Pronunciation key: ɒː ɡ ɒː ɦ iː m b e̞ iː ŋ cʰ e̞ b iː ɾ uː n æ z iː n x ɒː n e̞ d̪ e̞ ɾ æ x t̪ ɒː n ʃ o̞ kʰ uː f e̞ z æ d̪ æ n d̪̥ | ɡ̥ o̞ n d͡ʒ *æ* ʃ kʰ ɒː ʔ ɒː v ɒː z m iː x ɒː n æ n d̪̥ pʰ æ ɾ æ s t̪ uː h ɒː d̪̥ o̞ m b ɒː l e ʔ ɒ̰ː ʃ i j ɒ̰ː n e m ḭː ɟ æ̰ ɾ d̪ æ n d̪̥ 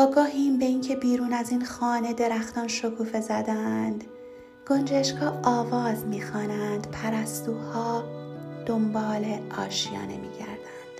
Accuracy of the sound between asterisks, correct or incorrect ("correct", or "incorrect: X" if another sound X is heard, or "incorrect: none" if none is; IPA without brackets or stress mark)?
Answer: incorrect: e